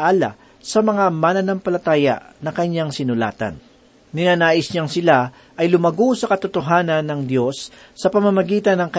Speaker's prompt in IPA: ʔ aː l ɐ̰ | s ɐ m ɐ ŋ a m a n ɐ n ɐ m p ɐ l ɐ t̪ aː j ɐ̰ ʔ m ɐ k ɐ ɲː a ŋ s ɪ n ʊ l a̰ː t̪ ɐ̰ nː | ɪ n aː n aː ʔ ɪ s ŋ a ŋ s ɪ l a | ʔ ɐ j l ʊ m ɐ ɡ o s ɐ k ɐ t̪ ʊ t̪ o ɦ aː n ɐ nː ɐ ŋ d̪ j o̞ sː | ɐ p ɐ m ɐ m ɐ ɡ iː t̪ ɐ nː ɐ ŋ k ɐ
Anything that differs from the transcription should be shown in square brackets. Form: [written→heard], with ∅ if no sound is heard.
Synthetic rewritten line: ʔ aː l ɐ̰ | s ɐ m ɐ ŋ a m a n ɐ n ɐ m p ɐ l ɐ t̪ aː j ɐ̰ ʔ [m→n] ɐ k ɐ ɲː a ŋ s ɪ n ʊ l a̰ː t̪ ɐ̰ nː | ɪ n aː n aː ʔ ɪ s [ŋ→ɲ] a ŋ s ɪ l a | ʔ ɐ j l ʊ m ɐ ɡ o s ɐ k ɐ t̪ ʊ t̪ o ɦ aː n ɐ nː ɐ ŋ d̪ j o̞ sː | ɐ p ɐ m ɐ m ɐ ɡ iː t̪ ɐ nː ɐ ŋ k ɐ